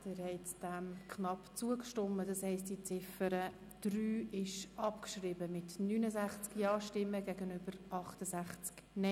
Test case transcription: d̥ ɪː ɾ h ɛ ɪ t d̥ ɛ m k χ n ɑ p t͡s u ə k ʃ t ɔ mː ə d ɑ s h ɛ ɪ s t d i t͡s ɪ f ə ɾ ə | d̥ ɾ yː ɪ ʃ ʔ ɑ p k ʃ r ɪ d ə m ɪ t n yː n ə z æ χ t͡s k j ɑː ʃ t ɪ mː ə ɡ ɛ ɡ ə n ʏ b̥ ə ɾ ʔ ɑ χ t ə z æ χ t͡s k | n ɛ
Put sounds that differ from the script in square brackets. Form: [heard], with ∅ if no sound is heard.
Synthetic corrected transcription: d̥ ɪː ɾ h ɛ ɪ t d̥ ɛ m k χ n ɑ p t͡s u ə k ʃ t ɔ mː ə d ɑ s h ɛ ɪ s t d i t͡s ɪ f ə ɾ ə | d̥ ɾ yː ɪ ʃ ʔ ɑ p k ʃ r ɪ [b] ə m ɪ t n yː n ə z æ χ t͡s k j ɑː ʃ t ɪ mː ə ɡ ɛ ɡ ə n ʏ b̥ ə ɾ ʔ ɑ χ t ə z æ χ t͡s k | n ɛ

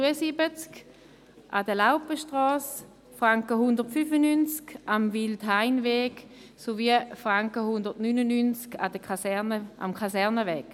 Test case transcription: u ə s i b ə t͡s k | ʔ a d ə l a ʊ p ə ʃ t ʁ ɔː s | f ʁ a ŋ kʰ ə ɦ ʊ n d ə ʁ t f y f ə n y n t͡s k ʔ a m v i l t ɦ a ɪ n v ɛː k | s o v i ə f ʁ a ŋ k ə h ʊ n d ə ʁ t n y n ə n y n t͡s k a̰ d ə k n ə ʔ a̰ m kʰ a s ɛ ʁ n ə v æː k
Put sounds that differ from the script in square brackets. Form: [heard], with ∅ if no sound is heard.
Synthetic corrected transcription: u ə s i b ə t͡s k | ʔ a d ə l a ʊ p ə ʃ t ʁ ɔː s | f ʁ a ŋ [k] ə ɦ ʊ n d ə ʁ t f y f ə n y n t͡s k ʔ a m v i l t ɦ a ɪ n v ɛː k | s o v i ə f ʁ a ŋ k ə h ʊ n d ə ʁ t n y n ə n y n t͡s k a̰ d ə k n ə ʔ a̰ m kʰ a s ɛ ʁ n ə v [ɛː] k

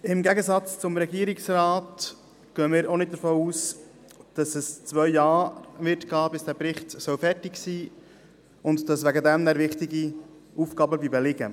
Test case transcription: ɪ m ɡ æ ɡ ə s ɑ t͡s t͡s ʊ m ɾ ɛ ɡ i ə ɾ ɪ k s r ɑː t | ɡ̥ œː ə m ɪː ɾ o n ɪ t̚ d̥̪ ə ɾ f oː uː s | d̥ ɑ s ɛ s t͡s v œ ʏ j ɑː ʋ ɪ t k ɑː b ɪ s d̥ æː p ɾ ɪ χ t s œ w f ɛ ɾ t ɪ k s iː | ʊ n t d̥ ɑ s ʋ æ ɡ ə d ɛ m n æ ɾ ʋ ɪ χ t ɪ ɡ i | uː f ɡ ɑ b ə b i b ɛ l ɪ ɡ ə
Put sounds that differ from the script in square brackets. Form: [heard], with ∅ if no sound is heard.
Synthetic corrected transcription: ɪ m ɡ æ ɡ ə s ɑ t͡s t͡s ʊ m ɾ ɛ ɡ i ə ɾ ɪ k s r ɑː t | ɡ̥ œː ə m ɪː ɾ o n ɪ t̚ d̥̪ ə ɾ f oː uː s | d̥ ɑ s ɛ s t͡s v œ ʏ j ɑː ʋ ɪ t k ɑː b ɪ s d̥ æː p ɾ ɪ χ t s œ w f ɛ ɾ t ɪ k s iː | ʊ n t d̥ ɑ s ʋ æ ɡ ə d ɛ m n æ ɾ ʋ ɪ χ t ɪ ɡ i | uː f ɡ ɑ b ə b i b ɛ l ɪ ɡ ə

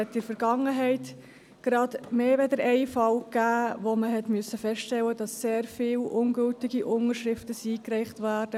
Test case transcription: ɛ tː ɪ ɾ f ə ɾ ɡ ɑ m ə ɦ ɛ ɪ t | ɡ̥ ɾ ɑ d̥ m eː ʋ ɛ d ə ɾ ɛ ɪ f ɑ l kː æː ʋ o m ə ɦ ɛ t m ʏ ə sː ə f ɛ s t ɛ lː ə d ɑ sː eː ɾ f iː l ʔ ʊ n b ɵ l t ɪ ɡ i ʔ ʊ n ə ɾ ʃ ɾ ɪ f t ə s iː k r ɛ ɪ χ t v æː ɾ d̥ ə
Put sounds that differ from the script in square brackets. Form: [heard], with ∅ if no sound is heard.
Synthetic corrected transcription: ɛ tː ɪ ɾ f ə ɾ ɡ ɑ [ŋ] ə ɦ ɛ ɪ t | ɡ̥ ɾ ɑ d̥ m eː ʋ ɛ d ə ɾ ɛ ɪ f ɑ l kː æː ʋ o m ə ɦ ɛ t m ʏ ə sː ə f ɛ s t ɛ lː ə d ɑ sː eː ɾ f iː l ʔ ʊ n [ɡ] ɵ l t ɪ ɡ i ʔ ʊ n ə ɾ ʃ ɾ ɪ f t ə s iː k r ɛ ɪ χ t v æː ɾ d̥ ə

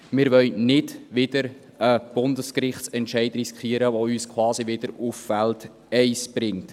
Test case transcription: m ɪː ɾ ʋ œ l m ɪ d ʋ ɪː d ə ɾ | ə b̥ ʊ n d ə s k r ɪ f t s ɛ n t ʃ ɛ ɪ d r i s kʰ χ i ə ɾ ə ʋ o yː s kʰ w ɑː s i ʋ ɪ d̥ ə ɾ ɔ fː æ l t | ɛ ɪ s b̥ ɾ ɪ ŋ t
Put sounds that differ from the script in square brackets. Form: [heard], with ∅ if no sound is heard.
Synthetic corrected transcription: m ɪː ɾ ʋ œ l [n] ɪ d ʋ [ɪ] d ə ɾ | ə b̥ ʊ n d ə s k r ɪ [χ] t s ɛ n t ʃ ɛ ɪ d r i s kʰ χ i ə ɾ ə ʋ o yː s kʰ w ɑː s i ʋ ɪ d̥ ə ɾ [u] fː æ l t | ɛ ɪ s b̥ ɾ ɪ ŋ t

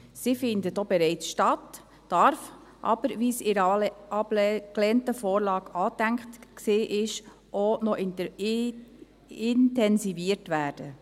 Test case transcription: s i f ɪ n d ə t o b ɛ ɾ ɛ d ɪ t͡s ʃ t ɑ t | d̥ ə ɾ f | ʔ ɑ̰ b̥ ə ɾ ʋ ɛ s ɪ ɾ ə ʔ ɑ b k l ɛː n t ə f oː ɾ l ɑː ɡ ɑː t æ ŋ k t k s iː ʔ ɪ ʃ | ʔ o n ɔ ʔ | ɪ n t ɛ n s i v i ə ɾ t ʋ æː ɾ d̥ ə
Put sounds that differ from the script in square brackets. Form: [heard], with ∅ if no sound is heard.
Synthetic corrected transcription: s i f ɪ n d ə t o b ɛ ɾ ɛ [∅] ɪ t͡s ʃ t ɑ t | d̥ [ɑ] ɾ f | ʔ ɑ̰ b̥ ə ɾ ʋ [i] s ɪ ɾ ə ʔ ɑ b k l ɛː n t ə f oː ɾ l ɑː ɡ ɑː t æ ŋ k t k s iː ʔ ɪ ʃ | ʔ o n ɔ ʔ | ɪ n t ɛ n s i v i ə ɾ t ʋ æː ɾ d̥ ə

